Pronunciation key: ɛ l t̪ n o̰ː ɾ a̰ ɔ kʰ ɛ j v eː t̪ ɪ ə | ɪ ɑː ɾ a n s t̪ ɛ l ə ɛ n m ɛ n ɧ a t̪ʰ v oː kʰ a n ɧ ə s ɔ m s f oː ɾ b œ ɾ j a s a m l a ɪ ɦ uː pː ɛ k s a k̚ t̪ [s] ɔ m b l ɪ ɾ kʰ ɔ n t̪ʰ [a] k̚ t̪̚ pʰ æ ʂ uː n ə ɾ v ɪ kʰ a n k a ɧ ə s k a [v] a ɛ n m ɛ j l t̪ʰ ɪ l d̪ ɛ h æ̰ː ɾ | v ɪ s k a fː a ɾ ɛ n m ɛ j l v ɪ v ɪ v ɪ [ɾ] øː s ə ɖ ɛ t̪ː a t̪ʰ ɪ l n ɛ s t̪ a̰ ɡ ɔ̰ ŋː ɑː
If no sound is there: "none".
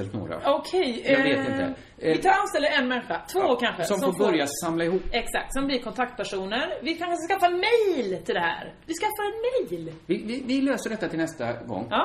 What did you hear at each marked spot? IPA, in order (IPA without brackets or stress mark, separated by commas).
s, a, f, l